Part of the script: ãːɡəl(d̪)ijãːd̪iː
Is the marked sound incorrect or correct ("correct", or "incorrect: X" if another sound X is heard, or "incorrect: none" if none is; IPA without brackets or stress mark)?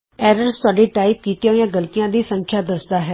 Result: incorrect: t̪